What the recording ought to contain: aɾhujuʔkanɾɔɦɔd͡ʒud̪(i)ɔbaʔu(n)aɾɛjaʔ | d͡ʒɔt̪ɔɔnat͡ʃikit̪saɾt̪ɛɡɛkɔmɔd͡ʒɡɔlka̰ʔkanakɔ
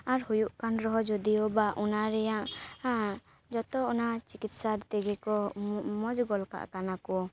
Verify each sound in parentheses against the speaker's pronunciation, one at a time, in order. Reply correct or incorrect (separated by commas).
correct, correct